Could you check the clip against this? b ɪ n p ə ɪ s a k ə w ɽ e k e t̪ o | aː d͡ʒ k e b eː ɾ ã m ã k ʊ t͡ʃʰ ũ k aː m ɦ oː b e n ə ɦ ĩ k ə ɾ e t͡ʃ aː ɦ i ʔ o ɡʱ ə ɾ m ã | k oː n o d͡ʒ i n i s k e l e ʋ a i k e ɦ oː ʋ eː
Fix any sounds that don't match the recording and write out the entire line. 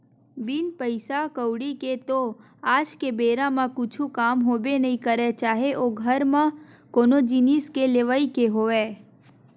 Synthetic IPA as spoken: b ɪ n p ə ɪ s a k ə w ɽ i k e t̪ o | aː d͡ʒ k e b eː ɾ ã m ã k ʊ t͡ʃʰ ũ k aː m ɦ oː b e n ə ɦ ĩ k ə ɾ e t͡ʃ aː ɦ e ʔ o ɡʱ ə ɾ m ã | k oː n o d͡ʒ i n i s k e l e ʋ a i k e ɦ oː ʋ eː